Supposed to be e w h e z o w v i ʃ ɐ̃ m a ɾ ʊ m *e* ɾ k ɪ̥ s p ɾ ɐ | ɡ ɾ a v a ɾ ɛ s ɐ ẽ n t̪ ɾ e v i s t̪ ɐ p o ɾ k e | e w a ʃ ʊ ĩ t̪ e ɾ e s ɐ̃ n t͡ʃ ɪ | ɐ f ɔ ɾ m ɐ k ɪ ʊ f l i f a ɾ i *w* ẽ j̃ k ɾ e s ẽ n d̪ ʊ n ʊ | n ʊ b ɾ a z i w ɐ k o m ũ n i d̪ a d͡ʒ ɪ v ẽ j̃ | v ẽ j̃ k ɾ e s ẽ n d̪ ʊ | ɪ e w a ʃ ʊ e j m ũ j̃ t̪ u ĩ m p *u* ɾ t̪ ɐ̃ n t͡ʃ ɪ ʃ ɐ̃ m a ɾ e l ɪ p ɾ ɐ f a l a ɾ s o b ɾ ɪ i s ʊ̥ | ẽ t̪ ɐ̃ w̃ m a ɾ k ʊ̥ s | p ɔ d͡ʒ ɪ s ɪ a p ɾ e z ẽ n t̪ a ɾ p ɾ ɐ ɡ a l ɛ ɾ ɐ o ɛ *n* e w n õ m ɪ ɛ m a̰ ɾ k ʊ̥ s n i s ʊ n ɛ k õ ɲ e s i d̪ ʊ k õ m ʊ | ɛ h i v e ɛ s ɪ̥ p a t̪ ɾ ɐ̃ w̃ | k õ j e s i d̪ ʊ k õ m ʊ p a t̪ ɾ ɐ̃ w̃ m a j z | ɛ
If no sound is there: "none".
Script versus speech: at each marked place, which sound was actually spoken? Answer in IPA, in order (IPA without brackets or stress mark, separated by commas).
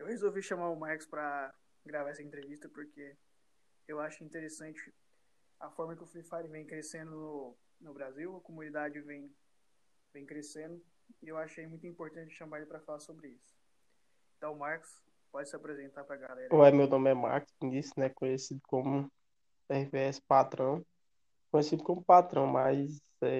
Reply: a, v, o, m